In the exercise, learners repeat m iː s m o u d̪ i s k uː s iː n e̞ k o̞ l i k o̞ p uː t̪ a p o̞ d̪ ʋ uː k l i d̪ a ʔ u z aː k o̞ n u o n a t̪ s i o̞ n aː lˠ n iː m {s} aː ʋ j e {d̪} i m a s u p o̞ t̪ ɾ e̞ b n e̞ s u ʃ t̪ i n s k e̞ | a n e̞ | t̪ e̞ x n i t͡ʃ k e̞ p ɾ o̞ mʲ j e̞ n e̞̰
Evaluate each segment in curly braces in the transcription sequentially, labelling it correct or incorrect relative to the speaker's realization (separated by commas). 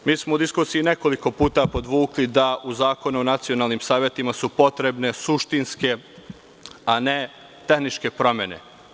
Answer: correct, incorrect